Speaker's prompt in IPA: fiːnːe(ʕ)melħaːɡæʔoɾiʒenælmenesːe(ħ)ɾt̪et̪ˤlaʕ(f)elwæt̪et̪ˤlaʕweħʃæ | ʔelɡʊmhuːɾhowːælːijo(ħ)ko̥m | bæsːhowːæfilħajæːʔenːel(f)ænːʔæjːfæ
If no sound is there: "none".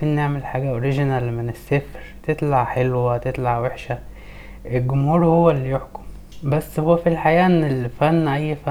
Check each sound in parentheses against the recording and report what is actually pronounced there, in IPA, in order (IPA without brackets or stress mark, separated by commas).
ʕ, f, ħ, ħ, f